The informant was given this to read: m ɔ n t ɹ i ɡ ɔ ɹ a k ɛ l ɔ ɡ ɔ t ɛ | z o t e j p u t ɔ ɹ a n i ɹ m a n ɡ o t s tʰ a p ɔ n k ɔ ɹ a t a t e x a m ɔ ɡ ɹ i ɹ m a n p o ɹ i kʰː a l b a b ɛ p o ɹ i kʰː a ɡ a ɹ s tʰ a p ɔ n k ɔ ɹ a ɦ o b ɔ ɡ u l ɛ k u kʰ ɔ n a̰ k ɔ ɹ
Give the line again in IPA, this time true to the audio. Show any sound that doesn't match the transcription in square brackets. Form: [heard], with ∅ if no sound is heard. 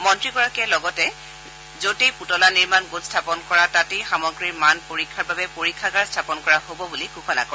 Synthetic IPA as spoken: m ɔ n t ɹ i ɡ ɔ ɹ a k ɛ l ɔ ɡ ɔ t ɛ | z o t e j p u t ɔ [l] a n i ɹ m a n ɡ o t s tʰ a p ɔ n k ɔ ɹ a t a t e x a m ɔ ɡ ɹ i ɹ m a n p o ɹ i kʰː a [ɹ] b a b ɛ p o ɹ i kʰː a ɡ a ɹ s tʰ a p ɔ n k ɔ ɹ a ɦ o b ɔ [b] u l [i] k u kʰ ɔ n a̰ k ɔ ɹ